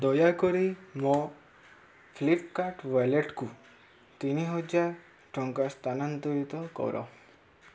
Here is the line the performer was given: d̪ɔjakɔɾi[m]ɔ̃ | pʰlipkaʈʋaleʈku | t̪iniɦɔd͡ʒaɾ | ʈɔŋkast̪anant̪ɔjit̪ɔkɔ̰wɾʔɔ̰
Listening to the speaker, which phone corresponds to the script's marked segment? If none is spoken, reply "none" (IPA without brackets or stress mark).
m